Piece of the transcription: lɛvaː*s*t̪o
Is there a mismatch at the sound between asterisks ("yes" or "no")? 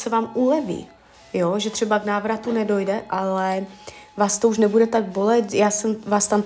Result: no